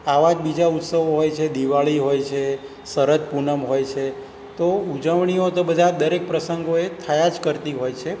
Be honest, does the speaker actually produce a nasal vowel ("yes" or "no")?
no